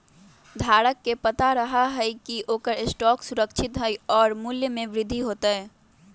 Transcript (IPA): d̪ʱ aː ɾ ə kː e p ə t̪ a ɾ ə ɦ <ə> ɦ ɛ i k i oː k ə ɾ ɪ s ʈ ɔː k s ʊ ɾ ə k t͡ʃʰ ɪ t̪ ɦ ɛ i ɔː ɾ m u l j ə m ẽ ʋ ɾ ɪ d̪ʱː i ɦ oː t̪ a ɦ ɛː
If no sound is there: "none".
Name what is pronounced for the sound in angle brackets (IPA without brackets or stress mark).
a